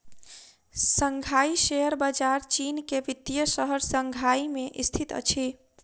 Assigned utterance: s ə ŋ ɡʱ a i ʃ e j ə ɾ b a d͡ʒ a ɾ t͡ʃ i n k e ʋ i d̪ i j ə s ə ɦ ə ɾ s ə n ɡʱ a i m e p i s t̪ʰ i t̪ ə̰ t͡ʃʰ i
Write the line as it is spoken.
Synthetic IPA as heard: s ə ŋ ɡʱ a i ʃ e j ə ɾ b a d͡ʒ a ɾ t͡ʃ i n k e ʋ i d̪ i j ə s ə ɦ ə ɾ s ə ŋ ɡʱ a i m e ʔ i s t̪ʰ i t̪ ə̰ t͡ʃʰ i